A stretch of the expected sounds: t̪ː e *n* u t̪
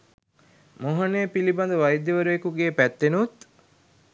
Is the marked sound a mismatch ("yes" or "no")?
no